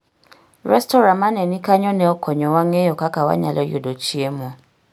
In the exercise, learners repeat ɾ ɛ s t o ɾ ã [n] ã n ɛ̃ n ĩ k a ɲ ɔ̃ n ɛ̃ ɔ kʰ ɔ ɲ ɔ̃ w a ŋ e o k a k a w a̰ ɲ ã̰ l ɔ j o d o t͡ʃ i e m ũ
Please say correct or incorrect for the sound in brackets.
incorrect